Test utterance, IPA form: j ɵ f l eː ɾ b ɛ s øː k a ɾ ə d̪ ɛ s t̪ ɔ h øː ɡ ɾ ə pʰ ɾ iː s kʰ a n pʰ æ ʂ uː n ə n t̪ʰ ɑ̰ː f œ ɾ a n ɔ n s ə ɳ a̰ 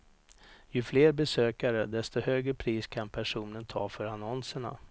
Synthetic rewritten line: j ɵ f l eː ɾ b ɛ s øː k a ɾ ə d̪ ɛ s t̪ ɔ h øː ɡ ɾ ə pʰ ɾ iː s kʰ a n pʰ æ ʂ uː n ə n t̪ʰ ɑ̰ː f œ ɾ a n ɔ n s ə ɳ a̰